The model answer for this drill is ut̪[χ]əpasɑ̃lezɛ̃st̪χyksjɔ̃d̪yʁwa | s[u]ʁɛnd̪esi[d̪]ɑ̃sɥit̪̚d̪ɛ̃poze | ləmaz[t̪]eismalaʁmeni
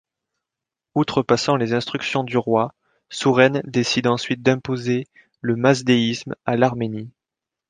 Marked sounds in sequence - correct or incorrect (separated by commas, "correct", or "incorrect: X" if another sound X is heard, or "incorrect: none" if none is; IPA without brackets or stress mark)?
correct, correct, correct, incorrect: d̪